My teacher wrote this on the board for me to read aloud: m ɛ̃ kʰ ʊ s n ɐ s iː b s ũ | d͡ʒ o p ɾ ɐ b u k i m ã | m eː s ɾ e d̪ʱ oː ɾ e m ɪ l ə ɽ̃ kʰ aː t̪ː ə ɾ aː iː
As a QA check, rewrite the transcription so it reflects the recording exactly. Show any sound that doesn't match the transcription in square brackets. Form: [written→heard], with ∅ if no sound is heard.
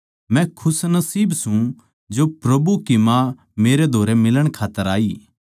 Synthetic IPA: m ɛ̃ kʰ ʊ s n ɐ s iː b s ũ | d͡ʒ o p ɾ ɐ b u k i m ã | m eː [s→∅] ɾ e d̪ʱ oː ɾ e m ɪ l ə ɽ̃ kʰ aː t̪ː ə ɾ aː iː